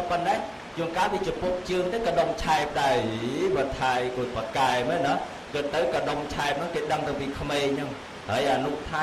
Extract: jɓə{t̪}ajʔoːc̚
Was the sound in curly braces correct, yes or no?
no